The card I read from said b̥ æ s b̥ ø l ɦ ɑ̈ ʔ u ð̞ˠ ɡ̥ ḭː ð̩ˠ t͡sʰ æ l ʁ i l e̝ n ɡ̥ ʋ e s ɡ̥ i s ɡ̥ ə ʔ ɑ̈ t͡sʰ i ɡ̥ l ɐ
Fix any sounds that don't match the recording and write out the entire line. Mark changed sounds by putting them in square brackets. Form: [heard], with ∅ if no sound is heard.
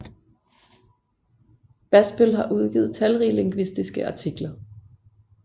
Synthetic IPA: b̥ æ s b̥ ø l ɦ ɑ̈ ʔ u ð̞ˠ ɡ̥ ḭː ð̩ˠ t͡sʰ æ l ʁ i l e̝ [ŋ] ɡ̥ ʋ [i] s [d̥] i s ɡ̥ ə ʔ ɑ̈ t͡sʰ i ɡ̥ l ɐ